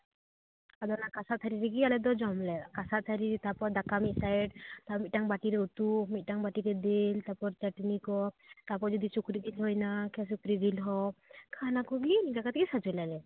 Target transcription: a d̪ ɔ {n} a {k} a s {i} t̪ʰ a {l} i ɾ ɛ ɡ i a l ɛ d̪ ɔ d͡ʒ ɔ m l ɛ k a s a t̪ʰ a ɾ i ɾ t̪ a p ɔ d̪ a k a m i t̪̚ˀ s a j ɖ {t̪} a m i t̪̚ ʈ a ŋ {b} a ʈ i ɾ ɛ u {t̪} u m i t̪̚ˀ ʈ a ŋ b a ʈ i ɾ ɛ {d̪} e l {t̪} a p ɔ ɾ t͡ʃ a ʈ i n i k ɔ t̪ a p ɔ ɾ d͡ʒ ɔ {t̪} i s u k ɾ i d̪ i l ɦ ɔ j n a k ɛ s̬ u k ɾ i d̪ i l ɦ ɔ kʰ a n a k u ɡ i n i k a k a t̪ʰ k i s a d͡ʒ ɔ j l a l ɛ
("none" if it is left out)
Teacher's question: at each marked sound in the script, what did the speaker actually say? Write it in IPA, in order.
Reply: n, k, a, ɾ, t̪, b, t̪, d̪, t̪, d̪

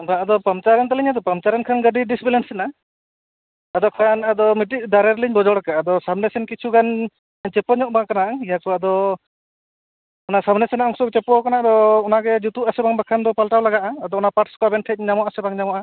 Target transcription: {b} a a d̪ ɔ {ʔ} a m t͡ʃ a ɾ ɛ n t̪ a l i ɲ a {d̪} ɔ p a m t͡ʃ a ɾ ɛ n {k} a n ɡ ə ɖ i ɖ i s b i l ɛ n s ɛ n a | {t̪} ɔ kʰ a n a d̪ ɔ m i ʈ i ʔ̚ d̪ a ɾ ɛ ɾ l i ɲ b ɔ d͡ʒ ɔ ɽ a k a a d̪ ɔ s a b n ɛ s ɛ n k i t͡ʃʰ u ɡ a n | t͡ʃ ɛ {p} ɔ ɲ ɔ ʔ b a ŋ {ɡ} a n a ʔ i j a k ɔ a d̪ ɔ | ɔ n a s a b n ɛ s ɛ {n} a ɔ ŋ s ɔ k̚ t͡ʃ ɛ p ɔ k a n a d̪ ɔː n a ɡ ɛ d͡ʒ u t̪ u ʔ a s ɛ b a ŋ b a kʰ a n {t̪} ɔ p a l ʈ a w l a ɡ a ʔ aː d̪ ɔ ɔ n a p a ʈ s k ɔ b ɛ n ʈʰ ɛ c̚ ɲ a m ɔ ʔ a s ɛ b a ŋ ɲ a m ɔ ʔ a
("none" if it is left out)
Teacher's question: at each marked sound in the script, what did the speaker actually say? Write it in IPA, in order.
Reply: b, p, d̪, kʰ, d̪, p, k, n, d̪

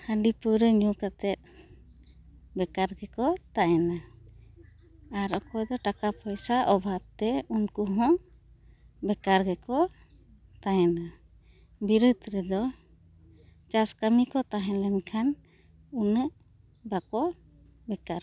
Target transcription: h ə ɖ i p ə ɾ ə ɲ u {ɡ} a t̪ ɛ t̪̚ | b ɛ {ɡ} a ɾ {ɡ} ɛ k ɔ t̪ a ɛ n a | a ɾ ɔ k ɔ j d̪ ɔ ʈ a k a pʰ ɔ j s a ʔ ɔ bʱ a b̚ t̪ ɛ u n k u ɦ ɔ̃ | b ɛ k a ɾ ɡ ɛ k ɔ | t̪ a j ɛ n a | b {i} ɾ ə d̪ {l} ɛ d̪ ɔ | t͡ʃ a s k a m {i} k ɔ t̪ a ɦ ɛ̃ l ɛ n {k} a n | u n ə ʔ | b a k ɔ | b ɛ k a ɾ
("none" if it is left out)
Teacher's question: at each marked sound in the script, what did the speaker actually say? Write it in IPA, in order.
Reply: k, k, ɡ, i, ɾ, i, kʰ

